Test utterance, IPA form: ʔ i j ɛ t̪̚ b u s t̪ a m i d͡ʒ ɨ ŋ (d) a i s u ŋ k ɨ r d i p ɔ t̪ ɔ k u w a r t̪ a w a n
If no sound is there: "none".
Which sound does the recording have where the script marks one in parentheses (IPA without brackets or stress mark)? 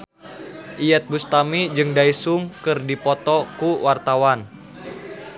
d